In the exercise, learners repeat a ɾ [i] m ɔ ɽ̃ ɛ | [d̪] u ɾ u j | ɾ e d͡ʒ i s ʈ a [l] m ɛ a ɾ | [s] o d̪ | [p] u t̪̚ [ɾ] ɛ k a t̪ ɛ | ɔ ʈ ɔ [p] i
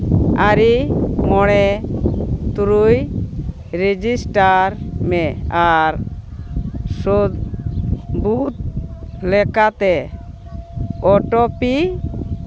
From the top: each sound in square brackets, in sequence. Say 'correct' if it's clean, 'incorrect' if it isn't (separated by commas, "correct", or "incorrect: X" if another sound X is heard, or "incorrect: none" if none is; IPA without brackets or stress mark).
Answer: correct, incorrect: t̪, incorrect: ɾ, correct, incorrect: b, incorrect: l, correct